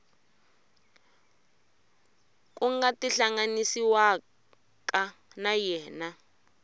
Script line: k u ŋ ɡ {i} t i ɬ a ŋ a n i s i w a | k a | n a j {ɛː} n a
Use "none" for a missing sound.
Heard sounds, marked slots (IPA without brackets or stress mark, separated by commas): a, ɛː